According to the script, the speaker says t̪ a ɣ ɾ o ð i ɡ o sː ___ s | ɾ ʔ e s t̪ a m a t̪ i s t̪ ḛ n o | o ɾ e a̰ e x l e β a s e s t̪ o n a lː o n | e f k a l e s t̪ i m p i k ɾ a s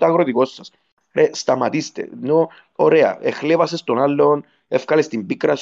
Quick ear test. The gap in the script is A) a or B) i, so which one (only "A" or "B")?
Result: A